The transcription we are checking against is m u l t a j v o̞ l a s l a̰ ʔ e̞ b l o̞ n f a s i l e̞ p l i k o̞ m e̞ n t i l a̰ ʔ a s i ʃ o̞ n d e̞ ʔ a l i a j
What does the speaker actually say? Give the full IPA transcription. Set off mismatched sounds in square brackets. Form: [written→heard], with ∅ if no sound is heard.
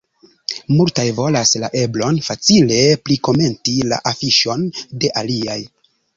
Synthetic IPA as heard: m u l t a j v o̞ l a s l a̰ ʔ e̞ b l o̞ n f a [s→t͡s] i l e̞ p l i k o̞ m e̞ n t i l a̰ ʔ a [s→f] i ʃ o̞ n d e̞ ʔ a l i a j